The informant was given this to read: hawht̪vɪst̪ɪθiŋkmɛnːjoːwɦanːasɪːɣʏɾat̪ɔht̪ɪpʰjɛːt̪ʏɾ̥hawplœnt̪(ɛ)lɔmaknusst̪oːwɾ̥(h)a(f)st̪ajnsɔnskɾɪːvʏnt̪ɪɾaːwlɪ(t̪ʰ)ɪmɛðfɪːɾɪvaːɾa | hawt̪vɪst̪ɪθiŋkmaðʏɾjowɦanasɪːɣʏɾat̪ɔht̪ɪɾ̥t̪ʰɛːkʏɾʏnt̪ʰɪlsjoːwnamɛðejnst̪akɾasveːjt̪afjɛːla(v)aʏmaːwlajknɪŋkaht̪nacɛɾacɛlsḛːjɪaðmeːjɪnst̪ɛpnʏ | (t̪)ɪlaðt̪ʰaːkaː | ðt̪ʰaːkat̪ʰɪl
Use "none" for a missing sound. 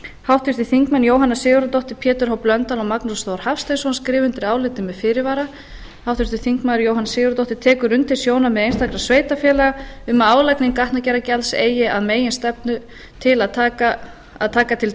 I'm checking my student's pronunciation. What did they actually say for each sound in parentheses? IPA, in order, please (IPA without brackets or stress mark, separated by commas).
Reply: a, h, f, t̪, ɣ, t̪ʰ